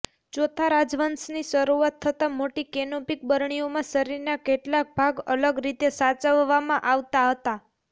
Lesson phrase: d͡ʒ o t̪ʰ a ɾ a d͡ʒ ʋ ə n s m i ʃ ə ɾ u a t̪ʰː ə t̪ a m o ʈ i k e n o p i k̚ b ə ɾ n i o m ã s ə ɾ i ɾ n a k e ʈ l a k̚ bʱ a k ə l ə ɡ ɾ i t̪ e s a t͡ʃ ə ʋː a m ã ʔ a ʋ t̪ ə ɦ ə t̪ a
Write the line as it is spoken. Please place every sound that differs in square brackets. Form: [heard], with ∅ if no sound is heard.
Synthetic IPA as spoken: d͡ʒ o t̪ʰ a ɾ a d͡ʒ ʋ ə n s [n] i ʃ ə ɾ u a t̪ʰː ə t̪ a m o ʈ i k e n o p i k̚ b ə ɾ [ɳ] i o m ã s ə ɾ i ɾ n a k e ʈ l a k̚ bʱ a [ɡ] ə l ə ɡ ɾ i t̪ e s a t͡ʃ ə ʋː a m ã ʔ a ʋ t̪ [a] ɦ ə t̪ a